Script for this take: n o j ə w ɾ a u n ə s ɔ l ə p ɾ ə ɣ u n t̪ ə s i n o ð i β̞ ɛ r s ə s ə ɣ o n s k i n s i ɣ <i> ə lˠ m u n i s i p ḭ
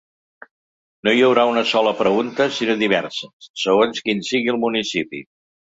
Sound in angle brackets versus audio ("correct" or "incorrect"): correct